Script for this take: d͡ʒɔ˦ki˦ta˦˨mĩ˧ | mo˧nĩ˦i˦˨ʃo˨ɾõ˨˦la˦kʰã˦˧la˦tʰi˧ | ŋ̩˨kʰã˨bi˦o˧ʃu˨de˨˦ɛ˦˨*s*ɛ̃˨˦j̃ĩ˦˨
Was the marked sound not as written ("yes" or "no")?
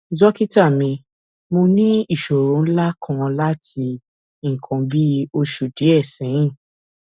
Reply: no